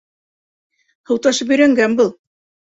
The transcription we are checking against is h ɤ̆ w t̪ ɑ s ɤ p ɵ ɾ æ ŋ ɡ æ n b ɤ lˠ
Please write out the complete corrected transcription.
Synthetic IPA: h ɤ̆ w t̪ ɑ ʃ ɤ p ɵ ɾ æ ŋ ɡ æ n b ɤ lˠ